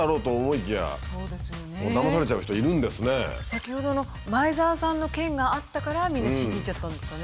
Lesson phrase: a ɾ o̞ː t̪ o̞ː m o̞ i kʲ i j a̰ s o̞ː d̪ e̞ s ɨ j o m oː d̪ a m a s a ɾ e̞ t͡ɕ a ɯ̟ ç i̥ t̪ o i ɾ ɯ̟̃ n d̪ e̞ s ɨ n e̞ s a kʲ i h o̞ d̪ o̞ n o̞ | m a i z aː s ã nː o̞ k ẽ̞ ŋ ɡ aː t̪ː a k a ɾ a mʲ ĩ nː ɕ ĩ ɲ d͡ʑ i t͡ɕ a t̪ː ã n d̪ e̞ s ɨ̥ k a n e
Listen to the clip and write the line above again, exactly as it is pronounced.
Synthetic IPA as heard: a ɾ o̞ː t̪ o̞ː m o̞ i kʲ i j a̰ s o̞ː d̪ e̞ s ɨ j o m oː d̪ a m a s a ɾ e̞ t͡ɕ a ɯ̟ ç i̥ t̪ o i ɾ ɯ̟̃ n d̪ e̞ s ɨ n e̞ s a kʲ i h o̞ d̪ o̞ n o̞ | m a i z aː s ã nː o̞ k ẽ̞ ŋ ɡ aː t̪ː a k a ɾ a mʲ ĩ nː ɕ ĩ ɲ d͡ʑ i t͡ɕ a t̪ː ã n d̪ e̞ s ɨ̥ k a n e

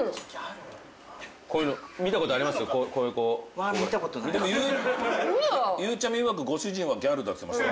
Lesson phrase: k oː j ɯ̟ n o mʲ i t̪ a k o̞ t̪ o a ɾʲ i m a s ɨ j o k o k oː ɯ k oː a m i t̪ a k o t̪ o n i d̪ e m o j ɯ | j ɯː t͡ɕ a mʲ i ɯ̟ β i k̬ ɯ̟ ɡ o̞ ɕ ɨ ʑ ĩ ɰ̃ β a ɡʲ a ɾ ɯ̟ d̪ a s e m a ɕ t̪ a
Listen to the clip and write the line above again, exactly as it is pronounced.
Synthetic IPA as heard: k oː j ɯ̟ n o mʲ i t̪ a k o̞ t̪ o a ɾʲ i m a s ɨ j o k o k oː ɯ k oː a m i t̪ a k o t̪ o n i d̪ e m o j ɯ | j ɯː t͡ɕ a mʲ i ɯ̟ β a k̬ ɯ̟ ɡ o̞ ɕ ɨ ʑ ĩ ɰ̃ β a ɡʲ a ɾ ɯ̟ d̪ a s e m a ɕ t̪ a

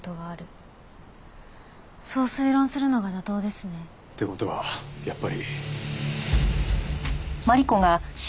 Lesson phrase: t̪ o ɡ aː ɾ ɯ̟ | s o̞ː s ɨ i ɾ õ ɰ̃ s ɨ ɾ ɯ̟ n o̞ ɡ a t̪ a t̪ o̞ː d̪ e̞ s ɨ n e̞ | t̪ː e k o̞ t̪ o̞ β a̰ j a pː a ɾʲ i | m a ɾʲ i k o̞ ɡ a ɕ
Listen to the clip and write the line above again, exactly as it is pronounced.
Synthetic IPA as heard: t̪ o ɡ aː ɾ ɯ̟ | s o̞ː s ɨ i ɾ õ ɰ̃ s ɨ ɾ ɯ̟ n o̞ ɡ a d̪ a t̪ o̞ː d̪ e̞ s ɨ n e̞ | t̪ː e k o̞ t̪ o̞ β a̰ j a pː a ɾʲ i | m a ɾʲ i k o̞ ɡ a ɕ

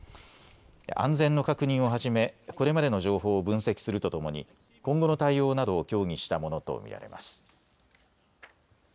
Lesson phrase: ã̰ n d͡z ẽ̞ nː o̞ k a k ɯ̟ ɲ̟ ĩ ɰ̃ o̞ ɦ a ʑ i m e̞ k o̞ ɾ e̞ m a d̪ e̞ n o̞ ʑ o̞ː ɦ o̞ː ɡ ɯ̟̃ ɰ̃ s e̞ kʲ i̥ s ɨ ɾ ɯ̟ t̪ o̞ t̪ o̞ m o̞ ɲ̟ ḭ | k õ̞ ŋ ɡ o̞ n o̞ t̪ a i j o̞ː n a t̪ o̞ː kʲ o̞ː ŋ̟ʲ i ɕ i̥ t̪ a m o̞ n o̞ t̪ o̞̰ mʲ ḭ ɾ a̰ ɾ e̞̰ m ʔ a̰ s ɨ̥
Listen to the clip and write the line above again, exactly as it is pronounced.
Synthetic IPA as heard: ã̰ n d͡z ẽ̞ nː o̞ k a k ɯ̟ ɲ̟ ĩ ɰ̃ o̞ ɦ a ʑ i m e̞ k o̞ ɾ e̞ m a d̪ e̞ n o̞ ʑ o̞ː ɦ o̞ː b ɯ̟̃ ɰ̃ s e̞ kʲ i̥ s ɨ ɾ ɯ̟ t̪ o̞ t̪ o̞ m o̞ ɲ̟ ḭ | k õ̞ ŋ ɡ o̞ n o̞ t̪ a i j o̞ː n a d̪ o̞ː kʲ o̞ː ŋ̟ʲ i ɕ i̥ t̪ a m o̞ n o̞ t̪ o̞̰ mʲ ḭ ɾ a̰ ɾ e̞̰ m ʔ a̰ s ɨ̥

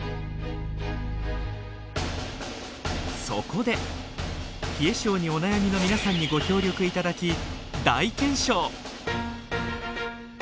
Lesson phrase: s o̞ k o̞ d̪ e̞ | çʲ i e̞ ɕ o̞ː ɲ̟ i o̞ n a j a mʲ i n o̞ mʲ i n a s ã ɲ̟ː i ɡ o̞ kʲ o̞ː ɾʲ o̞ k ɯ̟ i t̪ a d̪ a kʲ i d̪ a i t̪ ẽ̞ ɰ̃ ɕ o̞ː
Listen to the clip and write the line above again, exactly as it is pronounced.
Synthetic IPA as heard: s o̞ k o̞ d̪ e̞ | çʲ i e̞ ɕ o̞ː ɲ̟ i o̞ n a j a mʲ i n o̞ mʲ i n a s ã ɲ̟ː i ɡ o̞ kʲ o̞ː ɾʲ o̞ k ɯ̟ i t̪ a d̪ a kʲ i d̪ a i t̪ ẽ̞ ɰ̃ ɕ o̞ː

